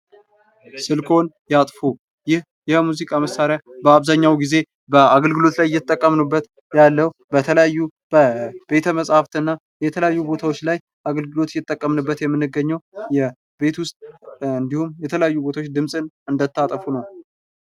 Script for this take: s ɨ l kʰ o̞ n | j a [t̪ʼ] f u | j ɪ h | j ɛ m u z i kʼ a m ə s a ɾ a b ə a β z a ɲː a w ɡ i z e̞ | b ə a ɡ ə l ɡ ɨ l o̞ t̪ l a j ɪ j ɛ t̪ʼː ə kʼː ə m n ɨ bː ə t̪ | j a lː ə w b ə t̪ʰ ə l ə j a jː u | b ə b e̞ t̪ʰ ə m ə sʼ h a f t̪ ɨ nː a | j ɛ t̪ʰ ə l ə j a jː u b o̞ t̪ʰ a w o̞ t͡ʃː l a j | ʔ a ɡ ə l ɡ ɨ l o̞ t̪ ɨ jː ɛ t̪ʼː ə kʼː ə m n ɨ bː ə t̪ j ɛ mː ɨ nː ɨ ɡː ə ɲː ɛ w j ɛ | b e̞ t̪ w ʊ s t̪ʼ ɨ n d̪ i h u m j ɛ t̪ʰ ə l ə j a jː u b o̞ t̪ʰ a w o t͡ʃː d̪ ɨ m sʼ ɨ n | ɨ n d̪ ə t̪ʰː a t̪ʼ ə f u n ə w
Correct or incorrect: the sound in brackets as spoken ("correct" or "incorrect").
correct